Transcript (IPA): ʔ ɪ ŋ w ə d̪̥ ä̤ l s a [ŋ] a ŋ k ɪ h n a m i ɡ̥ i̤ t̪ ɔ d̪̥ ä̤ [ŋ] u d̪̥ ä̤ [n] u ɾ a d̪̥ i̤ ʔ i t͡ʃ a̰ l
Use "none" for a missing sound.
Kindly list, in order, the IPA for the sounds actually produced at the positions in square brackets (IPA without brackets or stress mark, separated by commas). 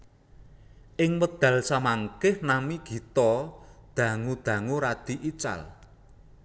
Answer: m, ŋ, ŋ